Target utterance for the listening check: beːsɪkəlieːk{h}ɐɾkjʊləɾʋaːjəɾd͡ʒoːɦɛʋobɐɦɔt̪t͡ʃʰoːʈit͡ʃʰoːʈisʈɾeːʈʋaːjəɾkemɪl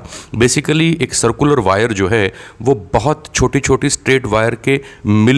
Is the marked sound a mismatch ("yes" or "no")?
yes